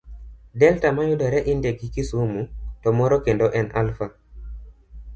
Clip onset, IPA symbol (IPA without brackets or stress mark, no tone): d